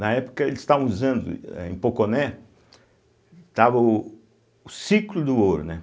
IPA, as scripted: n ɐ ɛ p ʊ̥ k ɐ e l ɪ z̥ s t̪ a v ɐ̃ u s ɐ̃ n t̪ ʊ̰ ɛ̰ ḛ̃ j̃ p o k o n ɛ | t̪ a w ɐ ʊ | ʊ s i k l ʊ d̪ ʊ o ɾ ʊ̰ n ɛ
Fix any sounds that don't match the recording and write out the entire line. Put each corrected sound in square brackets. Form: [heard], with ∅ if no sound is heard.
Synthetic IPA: n ɐ ɛ p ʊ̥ k ɐ e l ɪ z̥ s t̪ a v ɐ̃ u [z] ɐ̃ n [d̪] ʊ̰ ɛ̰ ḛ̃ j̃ p o k o n ɛ | t̪ a [v] ɐ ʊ | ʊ s i k l ʊ d̪ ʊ o ɾ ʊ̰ n ɛ